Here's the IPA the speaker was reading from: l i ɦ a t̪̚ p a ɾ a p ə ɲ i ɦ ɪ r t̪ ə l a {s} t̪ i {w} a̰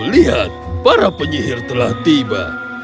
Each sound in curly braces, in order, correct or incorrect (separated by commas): incorrect, incorrect